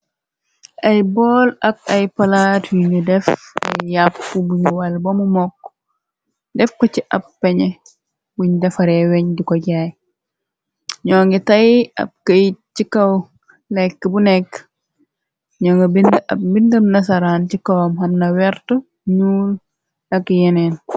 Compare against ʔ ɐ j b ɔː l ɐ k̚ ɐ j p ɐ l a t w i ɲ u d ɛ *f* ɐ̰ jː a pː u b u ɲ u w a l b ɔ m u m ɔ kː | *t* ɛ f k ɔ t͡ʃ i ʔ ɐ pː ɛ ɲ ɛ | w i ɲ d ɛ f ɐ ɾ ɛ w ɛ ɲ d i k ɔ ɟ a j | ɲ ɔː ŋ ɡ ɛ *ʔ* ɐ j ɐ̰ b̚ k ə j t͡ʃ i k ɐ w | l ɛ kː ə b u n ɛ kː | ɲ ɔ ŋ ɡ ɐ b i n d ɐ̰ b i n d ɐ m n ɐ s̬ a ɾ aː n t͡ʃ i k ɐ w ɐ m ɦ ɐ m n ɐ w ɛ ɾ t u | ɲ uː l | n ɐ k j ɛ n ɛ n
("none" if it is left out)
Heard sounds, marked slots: f, d, t

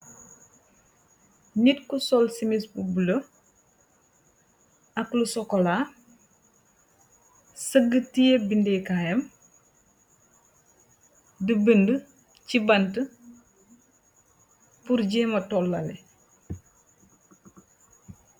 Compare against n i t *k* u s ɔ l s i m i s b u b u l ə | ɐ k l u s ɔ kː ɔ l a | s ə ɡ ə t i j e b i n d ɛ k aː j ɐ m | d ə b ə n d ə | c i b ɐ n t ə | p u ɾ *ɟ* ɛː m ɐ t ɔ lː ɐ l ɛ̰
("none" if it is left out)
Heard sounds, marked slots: k, ɟ

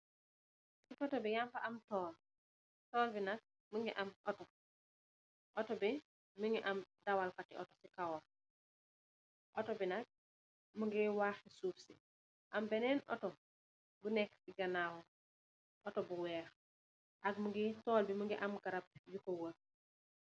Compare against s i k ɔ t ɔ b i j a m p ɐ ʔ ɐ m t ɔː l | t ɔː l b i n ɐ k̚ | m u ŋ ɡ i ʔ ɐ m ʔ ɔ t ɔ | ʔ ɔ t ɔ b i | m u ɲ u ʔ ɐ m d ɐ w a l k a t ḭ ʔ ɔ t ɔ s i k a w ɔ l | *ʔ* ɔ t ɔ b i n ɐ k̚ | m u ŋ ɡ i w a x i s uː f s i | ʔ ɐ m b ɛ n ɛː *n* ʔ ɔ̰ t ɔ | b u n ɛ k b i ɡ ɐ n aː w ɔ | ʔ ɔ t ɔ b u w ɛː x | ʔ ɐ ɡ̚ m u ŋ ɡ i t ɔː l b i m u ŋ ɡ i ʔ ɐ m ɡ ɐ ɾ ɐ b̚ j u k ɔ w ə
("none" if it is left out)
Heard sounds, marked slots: ʔ, n

